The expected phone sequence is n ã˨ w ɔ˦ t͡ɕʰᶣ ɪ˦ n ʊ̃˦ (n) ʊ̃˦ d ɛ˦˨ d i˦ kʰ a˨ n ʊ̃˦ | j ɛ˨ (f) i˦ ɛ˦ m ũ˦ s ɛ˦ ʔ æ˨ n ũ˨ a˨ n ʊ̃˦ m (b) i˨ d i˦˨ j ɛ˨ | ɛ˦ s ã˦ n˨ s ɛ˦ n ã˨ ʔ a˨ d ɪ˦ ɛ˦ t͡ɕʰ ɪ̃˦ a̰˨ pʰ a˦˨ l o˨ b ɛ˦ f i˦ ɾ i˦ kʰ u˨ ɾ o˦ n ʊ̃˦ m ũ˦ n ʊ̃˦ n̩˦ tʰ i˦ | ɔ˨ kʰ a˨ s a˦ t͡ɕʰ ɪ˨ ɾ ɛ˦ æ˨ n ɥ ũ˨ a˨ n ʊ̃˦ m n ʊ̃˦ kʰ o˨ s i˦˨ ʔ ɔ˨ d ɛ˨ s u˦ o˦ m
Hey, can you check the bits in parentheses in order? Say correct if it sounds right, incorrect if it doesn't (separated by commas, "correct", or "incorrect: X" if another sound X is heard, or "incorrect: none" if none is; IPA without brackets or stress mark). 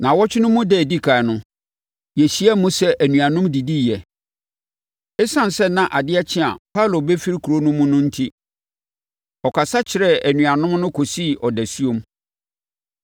incorrect: m, incorrect: ɕ, incorrect: d